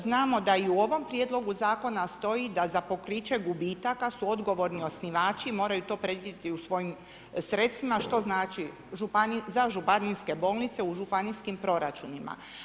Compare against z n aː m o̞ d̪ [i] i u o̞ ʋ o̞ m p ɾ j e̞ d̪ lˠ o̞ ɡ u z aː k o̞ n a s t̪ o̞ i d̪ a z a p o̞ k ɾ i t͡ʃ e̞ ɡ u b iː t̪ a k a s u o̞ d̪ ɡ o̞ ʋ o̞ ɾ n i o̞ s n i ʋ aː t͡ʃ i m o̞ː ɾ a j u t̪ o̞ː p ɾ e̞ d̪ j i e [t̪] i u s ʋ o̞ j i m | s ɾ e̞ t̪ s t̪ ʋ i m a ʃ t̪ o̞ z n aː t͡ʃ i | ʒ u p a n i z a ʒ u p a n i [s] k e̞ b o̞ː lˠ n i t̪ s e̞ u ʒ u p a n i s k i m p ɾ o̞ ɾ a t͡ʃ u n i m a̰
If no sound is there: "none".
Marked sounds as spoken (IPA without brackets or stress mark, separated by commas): a, t̪, s